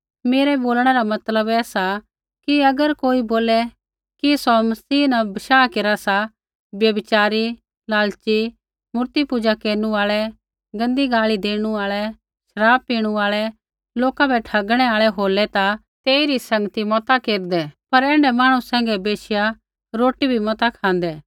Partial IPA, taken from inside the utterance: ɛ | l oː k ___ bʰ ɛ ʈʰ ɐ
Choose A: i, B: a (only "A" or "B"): B